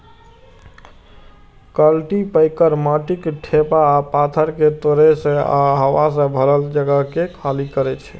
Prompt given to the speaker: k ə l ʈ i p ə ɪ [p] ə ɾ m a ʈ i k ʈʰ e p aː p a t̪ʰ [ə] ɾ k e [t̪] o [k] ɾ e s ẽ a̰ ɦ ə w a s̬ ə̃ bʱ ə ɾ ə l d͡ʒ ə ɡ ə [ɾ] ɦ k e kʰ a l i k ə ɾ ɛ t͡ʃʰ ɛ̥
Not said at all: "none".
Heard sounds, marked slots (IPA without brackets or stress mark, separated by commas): k, ə, t̪, none, none